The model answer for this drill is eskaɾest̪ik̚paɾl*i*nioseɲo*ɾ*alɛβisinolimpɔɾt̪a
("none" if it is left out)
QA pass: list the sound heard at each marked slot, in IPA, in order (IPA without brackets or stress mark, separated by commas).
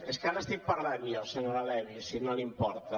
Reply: a, ɾ